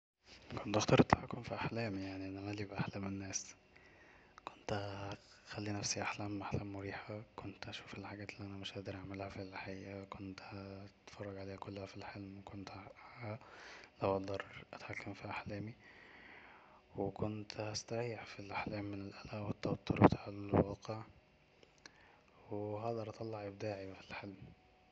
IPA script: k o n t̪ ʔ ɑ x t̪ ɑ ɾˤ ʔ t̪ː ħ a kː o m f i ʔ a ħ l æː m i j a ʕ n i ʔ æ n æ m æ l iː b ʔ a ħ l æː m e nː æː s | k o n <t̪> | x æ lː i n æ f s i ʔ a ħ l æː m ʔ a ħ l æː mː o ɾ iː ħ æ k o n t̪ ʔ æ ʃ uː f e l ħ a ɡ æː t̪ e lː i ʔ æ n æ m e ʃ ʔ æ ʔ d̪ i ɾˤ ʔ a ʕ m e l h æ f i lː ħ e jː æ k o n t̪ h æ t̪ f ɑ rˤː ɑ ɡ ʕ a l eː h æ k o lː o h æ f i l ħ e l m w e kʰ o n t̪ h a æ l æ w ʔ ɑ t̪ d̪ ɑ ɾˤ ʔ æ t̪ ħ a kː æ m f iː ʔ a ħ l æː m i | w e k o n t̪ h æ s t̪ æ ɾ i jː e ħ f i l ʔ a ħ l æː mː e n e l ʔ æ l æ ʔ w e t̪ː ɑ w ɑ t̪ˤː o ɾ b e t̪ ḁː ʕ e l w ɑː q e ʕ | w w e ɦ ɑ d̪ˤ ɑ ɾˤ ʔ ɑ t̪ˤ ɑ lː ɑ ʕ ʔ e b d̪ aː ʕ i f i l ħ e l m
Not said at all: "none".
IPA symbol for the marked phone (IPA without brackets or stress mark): t̪